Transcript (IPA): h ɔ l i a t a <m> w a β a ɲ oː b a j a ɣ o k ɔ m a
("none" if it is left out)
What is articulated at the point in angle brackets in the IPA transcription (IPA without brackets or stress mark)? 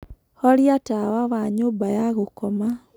none